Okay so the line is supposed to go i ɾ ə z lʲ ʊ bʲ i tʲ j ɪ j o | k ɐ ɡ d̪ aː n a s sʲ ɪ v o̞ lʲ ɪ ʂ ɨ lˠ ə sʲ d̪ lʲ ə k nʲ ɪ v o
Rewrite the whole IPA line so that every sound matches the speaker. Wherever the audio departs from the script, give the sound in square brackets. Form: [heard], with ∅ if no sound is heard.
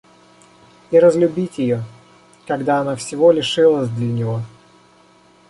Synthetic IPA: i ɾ ə z lʲ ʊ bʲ i tʲ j ɪ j o | k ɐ ɡ d̪ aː n a [f] sʲ ɪ v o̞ lʲ ɪ ʂ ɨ lˠ ə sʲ d̪ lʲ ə [∅] nʲ ɪ v o